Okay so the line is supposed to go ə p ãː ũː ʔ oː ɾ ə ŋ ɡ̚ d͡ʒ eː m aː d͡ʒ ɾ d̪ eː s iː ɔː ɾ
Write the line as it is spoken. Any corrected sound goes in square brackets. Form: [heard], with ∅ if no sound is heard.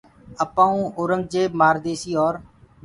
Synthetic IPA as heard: ə p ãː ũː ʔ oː ɾ ə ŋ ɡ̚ d͡ʒ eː m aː [∅] ɾ d̪ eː s iː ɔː ɾ